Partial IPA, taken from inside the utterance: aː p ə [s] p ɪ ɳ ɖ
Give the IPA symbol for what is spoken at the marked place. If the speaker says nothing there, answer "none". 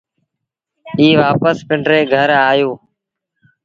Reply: s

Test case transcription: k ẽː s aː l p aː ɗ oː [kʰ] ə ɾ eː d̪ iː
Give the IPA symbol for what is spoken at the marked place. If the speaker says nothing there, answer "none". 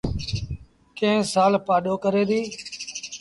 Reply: k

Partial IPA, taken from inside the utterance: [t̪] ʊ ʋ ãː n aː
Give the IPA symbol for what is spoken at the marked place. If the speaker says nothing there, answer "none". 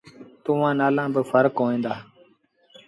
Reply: t̪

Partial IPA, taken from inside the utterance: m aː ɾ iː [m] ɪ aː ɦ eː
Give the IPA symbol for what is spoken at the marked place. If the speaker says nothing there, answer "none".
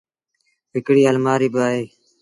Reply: b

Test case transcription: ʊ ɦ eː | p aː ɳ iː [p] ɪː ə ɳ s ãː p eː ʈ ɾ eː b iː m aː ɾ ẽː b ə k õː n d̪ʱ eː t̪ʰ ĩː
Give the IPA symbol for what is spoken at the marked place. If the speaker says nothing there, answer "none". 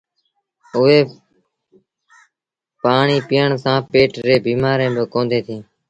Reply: p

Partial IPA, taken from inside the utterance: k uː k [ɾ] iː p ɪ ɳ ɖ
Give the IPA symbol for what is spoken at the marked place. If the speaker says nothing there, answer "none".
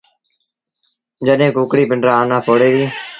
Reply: ɽ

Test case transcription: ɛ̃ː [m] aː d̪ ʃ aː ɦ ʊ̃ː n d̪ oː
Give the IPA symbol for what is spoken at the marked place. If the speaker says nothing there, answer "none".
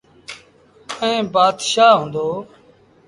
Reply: b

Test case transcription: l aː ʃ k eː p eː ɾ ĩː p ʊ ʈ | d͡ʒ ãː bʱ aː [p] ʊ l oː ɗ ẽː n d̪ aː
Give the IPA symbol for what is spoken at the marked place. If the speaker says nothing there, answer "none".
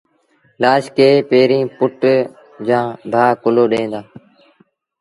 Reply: k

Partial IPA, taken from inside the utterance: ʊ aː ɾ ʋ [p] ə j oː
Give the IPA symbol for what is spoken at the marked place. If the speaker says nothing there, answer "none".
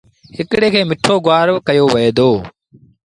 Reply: k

